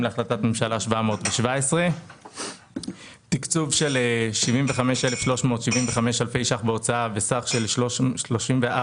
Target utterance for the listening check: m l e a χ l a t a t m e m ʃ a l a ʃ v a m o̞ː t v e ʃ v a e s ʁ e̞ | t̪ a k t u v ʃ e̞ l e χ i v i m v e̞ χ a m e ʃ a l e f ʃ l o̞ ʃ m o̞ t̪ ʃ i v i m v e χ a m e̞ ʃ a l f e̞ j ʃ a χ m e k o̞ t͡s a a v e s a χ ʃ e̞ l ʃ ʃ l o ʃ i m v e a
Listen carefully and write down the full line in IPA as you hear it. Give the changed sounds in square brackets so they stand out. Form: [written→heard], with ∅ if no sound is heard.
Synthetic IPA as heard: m l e a χ l a t a t m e m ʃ a l a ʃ v a m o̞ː t v e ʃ v a e s ʁ e̞ | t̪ [a→i] k [t→t͡s] u v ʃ e̞ l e [χ→ʃ] i v i m v e̞ χ a m e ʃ [a→e] l e f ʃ l o̞ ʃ m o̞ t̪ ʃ i v i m v e χ a m e̞ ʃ a l f e̞ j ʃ a χ [m→b] e [k→∅] o̞ t͡s a a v e s a χ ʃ e̞ l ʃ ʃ l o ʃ i m v e a